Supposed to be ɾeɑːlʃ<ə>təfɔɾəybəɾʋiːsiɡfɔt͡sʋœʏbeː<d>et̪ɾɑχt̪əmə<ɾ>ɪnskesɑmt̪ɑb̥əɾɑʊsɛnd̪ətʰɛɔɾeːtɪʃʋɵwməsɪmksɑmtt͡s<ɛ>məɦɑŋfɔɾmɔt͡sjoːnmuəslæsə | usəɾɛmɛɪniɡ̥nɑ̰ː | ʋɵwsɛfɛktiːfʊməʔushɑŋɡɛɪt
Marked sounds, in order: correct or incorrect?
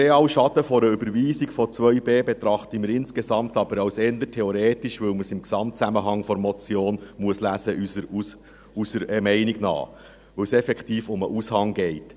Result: incorrect: ɑ, incorrect: b, correct, incorrect: æ

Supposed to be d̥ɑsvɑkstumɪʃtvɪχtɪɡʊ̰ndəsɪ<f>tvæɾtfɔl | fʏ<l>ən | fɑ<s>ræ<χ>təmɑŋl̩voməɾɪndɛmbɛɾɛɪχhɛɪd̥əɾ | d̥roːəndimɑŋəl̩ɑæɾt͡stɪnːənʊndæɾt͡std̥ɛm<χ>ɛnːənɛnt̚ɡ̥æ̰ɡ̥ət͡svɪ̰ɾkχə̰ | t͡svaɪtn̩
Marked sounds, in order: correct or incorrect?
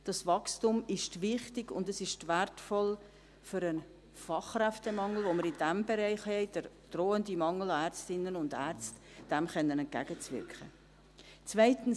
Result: incorrect: ʃ, incorrect: ɾ, incorrect: χ, incorrect: f, correct

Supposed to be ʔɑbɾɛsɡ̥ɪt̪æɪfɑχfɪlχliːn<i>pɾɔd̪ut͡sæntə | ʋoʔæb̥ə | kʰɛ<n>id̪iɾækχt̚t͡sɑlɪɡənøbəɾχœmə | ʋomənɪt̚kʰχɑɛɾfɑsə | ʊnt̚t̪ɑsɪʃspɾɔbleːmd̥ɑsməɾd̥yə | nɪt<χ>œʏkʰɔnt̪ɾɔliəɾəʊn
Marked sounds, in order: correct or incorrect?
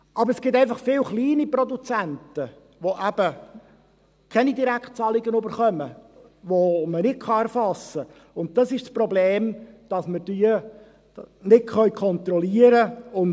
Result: correct, correct, correct

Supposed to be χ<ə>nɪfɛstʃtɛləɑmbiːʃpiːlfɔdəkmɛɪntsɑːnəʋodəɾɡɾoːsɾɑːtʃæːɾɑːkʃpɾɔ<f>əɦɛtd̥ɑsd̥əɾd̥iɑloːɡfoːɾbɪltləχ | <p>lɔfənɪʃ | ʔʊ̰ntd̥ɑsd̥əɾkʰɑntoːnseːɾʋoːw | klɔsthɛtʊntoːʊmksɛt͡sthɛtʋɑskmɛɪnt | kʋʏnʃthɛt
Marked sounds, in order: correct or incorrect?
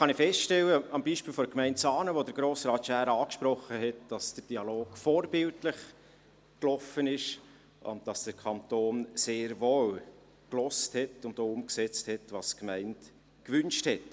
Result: incorrect: ɑ, incorrect: χ, incorrect: k

